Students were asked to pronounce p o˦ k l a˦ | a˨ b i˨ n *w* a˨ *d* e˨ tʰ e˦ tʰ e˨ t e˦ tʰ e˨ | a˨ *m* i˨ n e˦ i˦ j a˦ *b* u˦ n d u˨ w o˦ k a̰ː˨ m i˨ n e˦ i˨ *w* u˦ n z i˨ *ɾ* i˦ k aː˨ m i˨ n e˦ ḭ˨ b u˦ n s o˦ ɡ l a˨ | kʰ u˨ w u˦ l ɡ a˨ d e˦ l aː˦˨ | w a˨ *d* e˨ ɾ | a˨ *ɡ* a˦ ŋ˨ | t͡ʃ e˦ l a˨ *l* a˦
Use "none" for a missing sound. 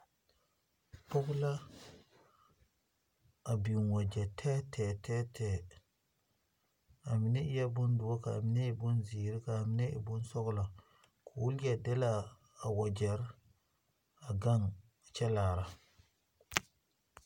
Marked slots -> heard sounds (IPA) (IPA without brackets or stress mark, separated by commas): w, d͡ʒ, m, b, b, ɾ, d͡ʒ, ɡ, ɾ